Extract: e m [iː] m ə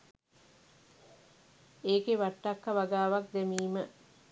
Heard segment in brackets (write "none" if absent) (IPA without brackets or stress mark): iː